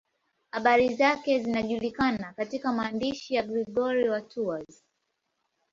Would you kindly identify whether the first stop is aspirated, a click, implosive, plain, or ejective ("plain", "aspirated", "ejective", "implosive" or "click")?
implosive